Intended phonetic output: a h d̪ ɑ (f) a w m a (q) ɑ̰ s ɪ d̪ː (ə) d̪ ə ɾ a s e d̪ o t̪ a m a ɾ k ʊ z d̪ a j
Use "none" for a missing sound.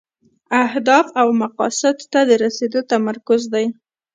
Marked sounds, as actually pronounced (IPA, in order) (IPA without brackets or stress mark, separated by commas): f, q, a